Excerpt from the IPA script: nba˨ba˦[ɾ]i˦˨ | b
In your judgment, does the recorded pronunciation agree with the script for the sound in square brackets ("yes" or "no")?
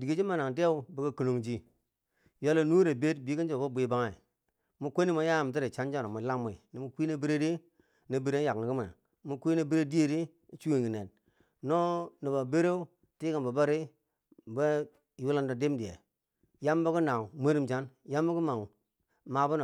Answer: yes